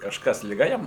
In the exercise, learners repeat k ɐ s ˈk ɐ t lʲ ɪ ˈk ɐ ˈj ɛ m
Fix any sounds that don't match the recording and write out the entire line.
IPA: k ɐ ʃ ˈk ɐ s lʲ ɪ ˈɡ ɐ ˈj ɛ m